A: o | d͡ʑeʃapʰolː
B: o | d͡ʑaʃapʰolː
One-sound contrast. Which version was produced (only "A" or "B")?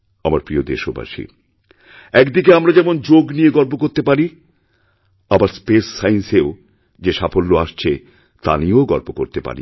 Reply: A